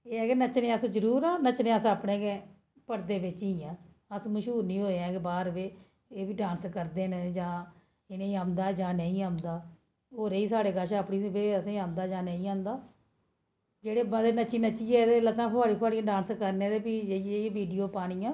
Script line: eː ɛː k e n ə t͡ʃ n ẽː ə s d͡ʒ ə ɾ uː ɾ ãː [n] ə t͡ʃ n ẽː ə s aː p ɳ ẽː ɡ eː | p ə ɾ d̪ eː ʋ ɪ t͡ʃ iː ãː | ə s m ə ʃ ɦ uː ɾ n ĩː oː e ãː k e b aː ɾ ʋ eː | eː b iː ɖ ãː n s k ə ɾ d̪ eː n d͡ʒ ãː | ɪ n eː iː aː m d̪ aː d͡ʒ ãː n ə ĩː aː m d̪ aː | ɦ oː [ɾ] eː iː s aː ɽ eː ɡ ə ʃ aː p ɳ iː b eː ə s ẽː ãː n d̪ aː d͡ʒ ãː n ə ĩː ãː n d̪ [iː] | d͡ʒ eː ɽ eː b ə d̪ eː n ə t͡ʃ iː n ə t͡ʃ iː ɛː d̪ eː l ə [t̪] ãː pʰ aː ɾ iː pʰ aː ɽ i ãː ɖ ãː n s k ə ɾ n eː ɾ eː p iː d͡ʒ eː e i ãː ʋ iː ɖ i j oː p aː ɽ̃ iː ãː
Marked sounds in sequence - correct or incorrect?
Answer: correct, correct, incorrect: aː, correct

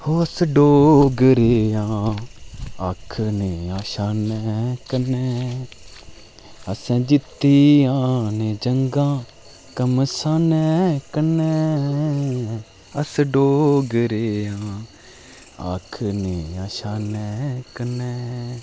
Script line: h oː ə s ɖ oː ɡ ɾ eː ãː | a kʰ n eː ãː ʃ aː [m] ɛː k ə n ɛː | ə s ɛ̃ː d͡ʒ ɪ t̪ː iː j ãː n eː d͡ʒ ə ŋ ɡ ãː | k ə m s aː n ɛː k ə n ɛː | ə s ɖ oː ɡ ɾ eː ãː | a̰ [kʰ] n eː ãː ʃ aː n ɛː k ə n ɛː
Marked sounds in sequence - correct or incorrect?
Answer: incorrect: n, correct

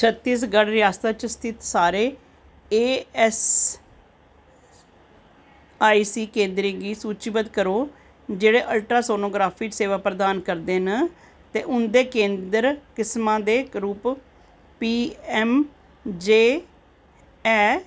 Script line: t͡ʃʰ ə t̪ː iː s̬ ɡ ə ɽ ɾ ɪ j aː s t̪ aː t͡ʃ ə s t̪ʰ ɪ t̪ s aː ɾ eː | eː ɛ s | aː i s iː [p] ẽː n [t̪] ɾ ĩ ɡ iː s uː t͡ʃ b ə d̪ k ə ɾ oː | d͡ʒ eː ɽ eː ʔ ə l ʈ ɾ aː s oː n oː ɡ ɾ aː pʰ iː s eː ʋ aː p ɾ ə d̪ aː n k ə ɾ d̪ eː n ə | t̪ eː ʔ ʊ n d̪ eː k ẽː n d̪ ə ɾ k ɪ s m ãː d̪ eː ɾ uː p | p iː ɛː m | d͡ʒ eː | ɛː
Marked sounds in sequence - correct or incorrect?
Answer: incorrect: k, incorrect: d̪

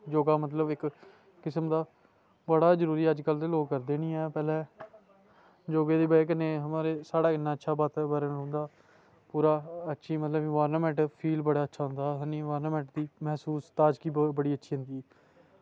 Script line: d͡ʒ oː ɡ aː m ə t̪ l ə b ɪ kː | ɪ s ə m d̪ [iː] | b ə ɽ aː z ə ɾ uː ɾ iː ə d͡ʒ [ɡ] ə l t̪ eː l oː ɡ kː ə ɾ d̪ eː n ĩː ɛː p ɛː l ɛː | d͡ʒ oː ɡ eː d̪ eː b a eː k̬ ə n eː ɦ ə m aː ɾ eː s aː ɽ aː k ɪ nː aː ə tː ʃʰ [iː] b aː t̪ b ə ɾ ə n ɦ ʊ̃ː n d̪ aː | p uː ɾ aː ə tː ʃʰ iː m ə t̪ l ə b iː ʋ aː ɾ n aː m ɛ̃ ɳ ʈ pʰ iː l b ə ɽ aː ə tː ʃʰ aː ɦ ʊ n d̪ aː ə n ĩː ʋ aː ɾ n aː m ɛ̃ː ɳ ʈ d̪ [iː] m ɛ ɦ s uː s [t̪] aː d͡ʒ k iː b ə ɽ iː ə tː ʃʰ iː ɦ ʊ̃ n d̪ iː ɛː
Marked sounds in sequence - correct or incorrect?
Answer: incorrect: aː, incorrect: k, incorrect: aː, correct, correct

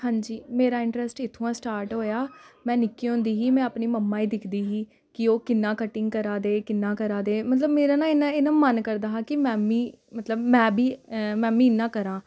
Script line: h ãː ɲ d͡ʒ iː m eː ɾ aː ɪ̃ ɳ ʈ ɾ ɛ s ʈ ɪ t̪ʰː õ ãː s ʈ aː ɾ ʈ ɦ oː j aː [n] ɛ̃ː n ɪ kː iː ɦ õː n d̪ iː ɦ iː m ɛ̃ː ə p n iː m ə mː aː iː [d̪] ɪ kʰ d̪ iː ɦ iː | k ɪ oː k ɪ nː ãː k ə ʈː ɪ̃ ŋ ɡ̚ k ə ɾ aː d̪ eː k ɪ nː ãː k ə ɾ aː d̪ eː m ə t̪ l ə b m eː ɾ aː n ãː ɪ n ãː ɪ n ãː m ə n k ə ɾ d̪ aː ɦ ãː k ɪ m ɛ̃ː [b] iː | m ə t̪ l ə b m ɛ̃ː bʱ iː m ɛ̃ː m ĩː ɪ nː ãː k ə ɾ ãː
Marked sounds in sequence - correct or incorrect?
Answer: incorrect: m, correct, incorrect: m

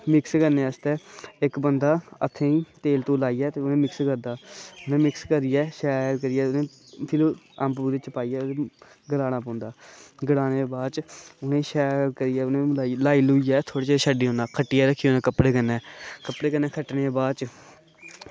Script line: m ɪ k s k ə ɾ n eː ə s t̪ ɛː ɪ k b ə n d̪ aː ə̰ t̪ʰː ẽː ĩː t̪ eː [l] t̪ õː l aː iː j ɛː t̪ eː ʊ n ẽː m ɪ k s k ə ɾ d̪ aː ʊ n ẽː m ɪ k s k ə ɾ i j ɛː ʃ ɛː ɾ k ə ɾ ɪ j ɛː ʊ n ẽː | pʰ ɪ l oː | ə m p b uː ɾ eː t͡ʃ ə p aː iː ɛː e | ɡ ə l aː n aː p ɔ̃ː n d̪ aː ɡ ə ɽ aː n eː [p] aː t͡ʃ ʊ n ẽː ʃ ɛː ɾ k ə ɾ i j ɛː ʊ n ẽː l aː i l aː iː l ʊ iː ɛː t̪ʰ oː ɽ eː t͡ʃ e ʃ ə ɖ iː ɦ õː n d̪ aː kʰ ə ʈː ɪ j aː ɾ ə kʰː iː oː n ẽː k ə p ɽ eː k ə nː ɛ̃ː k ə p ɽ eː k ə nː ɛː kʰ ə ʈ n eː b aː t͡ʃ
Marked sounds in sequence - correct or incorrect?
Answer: correct, incorrect: b

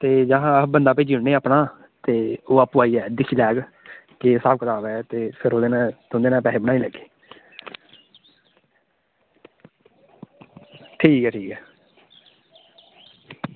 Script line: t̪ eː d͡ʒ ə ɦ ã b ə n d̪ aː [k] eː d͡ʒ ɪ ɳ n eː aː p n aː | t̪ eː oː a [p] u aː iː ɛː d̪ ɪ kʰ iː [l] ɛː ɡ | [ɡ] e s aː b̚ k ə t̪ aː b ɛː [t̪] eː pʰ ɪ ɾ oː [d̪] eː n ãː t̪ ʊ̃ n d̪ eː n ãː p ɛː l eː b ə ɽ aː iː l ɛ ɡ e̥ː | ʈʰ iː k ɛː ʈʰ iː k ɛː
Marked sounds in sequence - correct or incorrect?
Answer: incorrect: p, correct, correct, incorrect: k, correct, correct

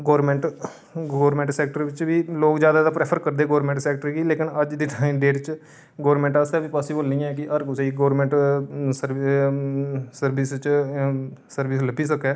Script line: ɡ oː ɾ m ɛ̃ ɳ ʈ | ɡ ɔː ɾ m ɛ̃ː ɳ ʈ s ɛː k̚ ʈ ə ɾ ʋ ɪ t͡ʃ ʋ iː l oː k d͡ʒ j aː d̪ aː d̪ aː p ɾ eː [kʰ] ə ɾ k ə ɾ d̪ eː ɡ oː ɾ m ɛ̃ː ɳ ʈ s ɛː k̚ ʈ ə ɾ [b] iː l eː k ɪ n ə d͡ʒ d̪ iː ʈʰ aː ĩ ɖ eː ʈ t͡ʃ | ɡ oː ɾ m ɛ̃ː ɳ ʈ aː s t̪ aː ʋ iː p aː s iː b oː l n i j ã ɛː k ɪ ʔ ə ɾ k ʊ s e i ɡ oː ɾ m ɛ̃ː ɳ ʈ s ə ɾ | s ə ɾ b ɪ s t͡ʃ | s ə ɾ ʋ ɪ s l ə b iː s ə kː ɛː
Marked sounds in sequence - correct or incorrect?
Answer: incorrect: pʰ, incorrect: ɡ

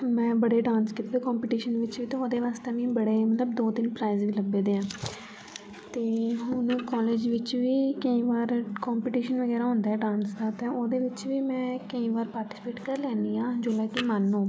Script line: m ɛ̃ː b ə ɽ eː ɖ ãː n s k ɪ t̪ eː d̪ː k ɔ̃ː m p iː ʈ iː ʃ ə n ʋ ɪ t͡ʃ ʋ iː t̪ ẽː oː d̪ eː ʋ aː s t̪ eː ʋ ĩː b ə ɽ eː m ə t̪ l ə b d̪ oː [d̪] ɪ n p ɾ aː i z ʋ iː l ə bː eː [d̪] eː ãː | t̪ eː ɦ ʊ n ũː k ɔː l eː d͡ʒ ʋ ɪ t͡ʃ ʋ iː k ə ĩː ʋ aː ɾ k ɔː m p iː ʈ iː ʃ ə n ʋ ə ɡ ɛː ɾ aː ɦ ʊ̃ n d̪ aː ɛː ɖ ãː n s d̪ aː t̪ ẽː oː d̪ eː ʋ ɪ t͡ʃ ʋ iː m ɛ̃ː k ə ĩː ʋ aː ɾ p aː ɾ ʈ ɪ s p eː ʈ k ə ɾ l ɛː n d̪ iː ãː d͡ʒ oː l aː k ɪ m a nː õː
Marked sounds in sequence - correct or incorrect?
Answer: incorrect: t̪, correct

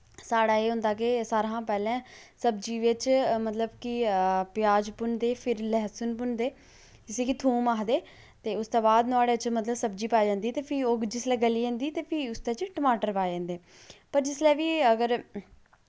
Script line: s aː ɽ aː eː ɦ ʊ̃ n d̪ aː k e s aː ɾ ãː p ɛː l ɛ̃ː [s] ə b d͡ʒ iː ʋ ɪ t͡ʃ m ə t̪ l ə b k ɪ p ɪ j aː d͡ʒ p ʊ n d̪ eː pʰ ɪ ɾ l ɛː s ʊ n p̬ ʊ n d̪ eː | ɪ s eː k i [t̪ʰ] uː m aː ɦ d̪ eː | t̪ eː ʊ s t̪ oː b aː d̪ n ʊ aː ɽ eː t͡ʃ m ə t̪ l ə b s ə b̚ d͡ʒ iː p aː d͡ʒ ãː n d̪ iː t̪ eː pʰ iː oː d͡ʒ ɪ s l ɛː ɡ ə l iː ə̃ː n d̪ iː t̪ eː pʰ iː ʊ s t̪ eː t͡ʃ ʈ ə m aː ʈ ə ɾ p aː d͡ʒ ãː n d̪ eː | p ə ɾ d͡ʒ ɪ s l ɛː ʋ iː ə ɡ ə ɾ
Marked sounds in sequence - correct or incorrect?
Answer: correct, correct

